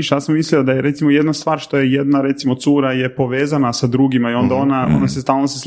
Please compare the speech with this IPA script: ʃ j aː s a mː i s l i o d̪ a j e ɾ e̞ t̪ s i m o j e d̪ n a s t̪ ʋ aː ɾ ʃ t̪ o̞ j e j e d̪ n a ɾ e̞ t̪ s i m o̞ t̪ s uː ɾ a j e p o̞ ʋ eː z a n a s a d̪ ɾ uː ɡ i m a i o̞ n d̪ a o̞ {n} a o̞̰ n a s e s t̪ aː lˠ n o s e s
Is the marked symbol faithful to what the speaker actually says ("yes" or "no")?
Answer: yes